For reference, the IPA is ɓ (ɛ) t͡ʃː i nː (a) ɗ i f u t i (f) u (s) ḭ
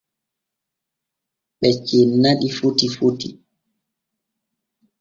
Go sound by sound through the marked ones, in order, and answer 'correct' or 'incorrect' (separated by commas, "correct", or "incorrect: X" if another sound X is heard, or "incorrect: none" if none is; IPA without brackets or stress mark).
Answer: correct, correct, correct, incorrect: t